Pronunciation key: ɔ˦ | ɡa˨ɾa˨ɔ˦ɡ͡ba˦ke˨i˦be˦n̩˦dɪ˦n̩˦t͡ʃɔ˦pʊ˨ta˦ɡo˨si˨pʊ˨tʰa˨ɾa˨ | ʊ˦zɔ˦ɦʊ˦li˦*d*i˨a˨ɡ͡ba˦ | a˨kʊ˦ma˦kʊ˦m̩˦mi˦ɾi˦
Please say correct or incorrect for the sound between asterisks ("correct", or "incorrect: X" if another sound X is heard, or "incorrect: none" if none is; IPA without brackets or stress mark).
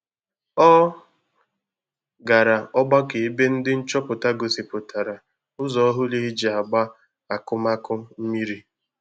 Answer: incorrect: d͡ʒ